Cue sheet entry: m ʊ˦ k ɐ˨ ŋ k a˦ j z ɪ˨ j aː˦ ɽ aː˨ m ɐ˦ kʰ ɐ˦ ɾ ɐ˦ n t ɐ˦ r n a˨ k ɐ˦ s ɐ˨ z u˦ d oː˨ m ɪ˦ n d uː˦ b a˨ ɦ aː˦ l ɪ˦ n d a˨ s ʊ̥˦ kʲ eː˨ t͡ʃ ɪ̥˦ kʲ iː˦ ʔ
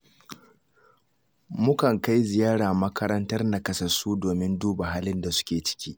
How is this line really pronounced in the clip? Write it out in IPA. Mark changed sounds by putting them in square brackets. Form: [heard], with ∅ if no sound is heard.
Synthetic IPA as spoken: m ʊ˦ k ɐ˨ ŋ k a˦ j z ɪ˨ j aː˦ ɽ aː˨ m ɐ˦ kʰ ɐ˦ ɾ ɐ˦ n t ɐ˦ r n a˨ k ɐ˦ s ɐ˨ [s] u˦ d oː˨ m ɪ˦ n d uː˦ b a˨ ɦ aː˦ l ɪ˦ n d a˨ s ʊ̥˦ kʲ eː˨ t͡ʃ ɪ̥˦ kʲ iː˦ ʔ